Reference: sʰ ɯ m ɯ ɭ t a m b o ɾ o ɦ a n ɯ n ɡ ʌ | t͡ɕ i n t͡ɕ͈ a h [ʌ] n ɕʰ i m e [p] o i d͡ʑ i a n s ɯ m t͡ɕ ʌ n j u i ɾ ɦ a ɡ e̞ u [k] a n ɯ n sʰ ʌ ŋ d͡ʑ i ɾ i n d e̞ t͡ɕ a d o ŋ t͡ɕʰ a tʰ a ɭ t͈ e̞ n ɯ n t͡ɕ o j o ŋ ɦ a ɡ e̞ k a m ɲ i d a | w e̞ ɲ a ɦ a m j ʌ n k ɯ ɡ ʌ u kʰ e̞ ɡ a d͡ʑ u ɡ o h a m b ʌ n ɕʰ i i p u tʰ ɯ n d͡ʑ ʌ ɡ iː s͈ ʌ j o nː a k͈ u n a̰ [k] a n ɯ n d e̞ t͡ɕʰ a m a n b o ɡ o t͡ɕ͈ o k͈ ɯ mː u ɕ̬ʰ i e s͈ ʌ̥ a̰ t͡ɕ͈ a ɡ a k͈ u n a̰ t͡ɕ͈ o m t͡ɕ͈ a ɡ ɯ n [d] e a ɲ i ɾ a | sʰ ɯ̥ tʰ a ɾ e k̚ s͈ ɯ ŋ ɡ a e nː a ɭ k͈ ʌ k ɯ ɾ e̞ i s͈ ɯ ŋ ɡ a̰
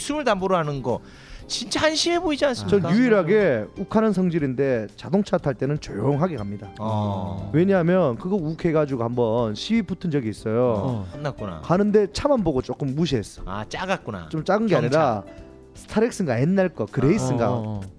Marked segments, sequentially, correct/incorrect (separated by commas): incorrect, incorrect, incorrect, correct, incorrect